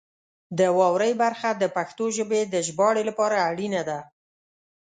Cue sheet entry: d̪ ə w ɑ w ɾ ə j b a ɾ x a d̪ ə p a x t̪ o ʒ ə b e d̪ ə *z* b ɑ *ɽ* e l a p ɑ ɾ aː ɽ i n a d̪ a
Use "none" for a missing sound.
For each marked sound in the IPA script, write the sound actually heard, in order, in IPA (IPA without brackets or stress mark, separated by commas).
ʒ, ɽ